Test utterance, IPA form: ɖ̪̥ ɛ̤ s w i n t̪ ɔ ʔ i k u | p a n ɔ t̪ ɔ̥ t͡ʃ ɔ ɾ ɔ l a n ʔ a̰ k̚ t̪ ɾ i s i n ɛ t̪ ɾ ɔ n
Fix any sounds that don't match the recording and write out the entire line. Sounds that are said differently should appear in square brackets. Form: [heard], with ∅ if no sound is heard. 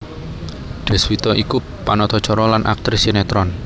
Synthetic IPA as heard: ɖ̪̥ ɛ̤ s w i [∅] t̪ ɔ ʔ i k u | p a n ɔ t̪ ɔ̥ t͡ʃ ɔ ɾ ɔ l a n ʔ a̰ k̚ t̪ ɾ i s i n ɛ t̪ ɾ ɔ n